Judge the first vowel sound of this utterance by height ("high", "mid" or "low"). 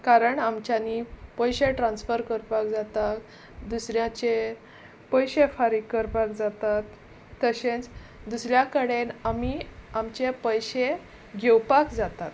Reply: low